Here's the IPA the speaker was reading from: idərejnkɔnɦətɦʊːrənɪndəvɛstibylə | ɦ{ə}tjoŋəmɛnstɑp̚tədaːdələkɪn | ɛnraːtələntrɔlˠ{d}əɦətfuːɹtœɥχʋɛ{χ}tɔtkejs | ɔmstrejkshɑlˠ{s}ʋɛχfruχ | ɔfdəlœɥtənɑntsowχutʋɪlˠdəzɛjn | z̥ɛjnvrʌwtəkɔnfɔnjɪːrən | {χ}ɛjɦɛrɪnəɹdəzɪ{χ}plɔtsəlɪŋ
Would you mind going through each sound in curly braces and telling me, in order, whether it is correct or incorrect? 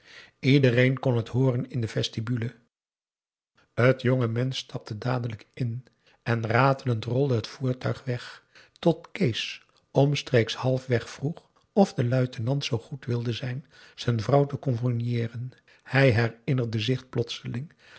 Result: correct, correct, correct, incorrect: f, incorrect: h, correct

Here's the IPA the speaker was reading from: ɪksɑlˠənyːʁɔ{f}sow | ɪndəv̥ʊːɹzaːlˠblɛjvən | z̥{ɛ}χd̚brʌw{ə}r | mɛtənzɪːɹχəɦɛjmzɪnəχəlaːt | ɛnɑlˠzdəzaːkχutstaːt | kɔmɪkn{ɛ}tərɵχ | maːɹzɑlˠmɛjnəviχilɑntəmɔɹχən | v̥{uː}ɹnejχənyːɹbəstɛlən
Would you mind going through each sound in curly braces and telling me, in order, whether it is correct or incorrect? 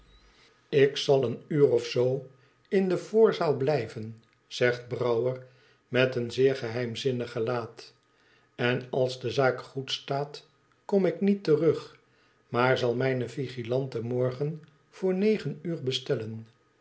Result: correct, correct, correct, incorrect: i, incorrect: ʊː

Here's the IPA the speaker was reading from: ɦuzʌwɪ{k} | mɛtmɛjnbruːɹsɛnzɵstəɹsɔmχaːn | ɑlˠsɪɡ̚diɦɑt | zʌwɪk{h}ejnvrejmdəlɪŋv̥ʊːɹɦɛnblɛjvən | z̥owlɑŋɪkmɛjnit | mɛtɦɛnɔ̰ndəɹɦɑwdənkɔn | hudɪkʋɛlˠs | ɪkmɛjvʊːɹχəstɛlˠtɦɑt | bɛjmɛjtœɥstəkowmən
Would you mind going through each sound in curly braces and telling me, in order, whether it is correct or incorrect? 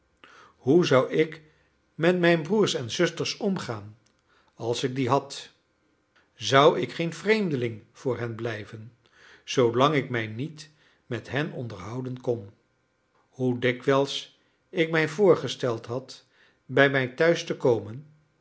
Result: correct, incorrect: χ

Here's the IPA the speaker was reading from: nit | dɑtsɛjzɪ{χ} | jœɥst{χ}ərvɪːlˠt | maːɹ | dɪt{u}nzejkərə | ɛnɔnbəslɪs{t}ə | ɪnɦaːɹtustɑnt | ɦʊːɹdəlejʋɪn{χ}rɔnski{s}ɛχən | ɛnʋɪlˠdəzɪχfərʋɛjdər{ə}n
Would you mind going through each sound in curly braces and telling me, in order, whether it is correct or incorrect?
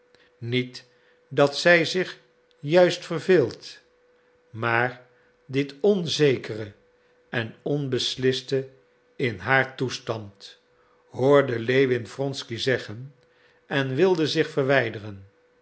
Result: correct, incorrect: f, incorrect: ɔ, correct, incorrect: f, incorrect: z, correct

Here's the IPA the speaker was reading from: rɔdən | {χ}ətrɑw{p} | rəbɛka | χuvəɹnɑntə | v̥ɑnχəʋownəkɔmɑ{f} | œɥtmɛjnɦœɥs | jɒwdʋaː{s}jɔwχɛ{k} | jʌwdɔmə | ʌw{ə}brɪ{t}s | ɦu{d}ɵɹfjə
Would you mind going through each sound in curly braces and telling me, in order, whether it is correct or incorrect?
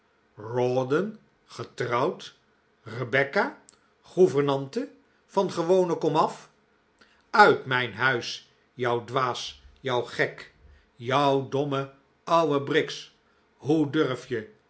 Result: correct, incorrect: t, correct, correct, correct, correct, incorrect: k, correct

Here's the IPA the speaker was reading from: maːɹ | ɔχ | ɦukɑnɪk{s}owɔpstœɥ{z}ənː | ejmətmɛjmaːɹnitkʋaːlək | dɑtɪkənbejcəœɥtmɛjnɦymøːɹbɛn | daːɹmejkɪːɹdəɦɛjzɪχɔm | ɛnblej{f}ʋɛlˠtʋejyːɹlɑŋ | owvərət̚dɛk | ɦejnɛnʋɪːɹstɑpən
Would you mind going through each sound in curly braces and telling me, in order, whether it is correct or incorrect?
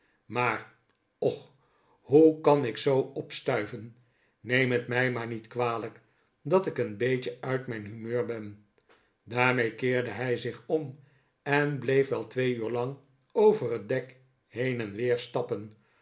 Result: correct, incorrect: v, correct

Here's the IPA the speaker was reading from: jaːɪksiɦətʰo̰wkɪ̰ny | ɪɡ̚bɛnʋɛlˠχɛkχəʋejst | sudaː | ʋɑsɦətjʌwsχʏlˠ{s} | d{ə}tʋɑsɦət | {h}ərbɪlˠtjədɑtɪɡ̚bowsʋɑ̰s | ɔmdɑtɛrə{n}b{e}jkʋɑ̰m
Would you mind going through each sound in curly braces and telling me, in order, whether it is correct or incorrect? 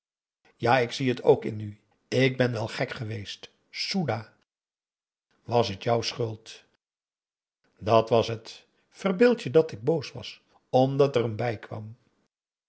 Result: incorrect: t, incorrect: ɑ, incorrect: f, incorrect: m, incorrect: ɛ

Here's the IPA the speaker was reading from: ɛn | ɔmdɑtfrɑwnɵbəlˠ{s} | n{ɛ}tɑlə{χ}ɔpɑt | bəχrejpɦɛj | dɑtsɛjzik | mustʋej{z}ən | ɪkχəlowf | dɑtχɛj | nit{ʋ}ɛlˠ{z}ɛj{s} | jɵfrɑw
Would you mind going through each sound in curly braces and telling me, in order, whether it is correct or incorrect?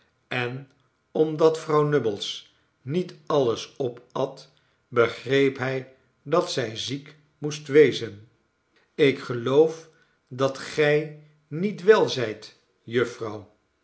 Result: correct, incorrect: i, incorrect: s, correct, correct, correct, incorrect: t

